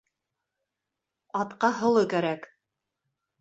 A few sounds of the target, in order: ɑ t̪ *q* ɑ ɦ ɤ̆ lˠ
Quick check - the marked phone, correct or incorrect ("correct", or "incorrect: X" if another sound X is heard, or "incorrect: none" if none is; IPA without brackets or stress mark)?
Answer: correct